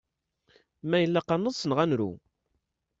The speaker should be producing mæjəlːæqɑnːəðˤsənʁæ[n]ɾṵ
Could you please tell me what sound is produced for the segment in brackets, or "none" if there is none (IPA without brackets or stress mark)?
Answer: n